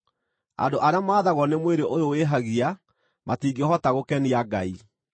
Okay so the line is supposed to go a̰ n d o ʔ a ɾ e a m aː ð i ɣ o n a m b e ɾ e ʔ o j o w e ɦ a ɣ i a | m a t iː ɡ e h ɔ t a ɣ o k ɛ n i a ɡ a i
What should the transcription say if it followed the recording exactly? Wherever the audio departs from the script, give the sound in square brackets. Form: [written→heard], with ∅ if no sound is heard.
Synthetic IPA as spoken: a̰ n d o ʔ a ɾ e a m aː ð [i→a] ɣ [o→ɔ] n [a→e] m [b→w] e ɾ e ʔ o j o w e ɦ a ɣ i a | m a t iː ɡ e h ɔ t a ɣ o k ɛ n i a ɡ a i